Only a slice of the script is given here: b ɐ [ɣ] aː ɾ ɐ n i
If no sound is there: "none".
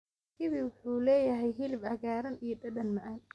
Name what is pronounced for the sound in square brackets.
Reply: ɣ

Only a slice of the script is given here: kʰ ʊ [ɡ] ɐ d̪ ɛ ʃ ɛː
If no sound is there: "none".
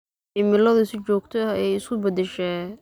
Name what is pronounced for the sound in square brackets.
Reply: b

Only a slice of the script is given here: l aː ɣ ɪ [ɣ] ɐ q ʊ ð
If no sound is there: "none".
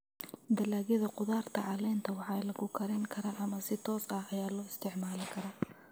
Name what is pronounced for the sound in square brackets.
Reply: ð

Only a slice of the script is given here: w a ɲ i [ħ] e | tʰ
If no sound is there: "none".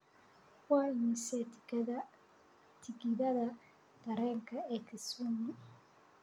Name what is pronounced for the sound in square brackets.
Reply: s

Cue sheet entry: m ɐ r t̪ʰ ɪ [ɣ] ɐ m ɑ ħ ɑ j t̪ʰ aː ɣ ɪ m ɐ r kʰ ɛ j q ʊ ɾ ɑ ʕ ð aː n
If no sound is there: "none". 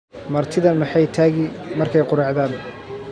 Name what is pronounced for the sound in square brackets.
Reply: ð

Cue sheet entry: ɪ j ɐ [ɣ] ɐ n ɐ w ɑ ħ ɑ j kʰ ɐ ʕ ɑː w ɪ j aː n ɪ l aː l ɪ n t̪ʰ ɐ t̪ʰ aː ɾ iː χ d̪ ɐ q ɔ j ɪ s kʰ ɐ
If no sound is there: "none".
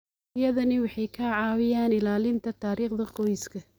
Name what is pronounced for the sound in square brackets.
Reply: ð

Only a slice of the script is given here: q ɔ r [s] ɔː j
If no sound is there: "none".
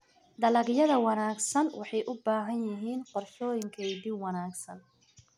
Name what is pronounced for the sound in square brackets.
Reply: ʃ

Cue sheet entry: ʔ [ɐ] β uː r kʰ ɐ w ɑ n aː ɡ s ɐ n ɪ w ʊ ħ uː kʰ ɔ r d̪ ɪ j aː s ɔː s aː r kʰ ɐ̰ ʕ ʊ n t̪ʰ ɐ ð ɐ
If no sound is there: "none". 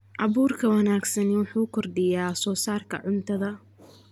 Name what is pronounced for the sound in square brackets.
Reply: ɑ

